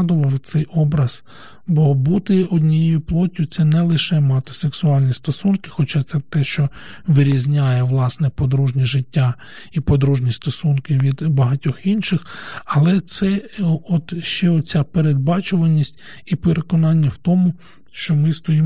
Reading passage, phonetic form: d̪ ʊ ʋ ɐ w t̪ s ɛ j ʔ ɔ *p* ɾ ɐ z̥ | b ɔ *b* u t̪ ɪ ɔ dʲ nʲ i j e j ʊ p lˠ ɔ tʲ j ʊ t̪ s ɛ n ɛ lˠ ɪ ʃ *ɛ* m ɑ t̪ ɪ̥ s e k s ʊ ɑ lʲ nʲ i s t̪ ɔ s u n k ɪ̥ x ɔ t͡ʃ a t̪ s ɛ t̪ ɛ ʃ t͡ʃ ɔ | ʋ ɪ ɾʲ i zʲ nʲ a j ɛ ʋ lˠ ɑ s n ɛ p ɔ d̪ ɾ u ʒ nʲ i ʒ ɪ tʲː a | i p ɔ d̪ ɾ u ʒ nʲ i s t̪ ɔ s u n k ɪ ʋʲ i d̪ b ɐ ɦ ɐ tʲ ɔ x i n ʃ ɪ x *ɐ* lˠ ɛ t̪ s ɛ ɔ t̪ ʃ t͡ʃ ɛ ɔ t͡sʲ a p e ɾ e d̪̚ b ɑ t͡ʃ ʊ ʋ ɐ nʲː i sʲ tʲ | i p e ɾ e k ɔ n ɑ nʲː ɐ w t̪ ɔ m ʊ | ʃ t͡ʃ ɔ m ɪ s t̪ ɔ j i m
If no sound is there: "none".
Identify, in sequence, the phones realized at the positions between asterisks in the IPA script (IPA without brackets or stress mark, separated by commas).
b, b, ɛ, ɐ